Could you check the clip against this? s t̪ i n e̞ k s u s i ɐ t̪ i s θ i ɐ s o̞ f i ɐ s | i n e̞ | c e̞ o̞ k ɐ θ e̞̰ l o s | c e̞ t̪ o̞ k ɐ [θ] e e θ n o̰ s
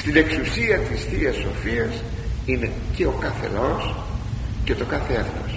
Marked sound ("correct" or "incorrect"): correct